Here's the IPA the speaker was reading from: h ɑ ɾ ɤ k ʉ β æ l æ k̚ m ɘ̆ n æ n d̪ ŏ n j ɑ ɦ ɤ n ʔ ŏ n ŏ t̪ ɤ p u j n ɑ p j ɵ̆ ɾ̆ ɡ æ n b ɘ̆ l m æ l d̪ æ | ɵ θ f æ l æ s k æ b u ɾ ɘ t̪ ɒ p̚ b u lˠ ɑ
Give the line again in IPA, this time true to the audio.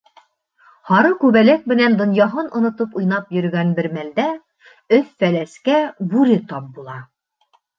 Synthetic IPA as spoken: h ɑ ɾ ɤ k ʉ β æ l æ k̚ m ɘ̆ n æ n d̪ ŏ n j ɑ ɦ ɤ n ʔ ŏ n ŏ t̪ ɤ p u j n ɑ p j ɵ̆ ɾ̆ ɡ æ n b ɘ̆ ɾ m æ l d̪ æ | ɵ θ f æ l æ s k æ b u ɾ ɘ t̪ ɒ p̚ b u lˠ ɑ